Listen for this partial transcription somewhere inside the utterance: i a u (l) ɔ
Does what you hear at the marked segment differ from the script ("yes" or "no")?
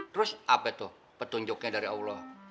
no